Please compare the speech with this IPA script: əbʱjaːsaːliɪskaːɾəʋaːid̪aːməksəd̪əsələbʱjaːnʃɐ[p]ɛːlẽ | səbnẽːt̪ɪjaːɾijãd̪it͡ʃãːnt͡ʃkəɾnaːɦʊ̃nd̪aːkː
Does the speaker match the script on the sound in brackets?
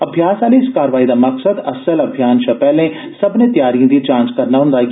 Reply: yes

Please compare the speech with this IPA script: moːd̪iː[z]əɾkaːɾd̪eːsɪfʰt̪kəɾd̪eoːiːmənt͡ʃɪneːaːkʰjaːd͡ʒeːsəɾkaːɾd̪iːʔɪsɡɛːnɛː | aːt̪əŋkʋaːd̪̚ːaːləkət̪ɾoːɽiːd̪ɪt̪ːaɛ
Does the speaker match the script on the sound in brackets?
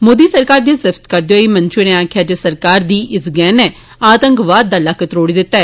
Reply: no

